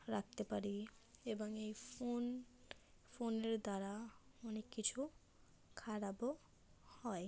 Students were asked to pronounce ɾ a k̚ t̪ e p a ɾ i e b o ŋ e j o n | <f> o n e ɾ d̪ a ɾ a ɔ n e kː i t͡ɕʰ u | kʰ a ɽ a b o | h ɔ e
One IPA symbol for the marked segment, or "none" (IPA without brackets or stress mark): f